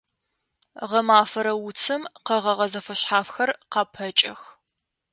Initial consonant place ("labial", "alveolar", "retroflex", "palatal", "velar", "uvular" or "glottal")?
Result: uvular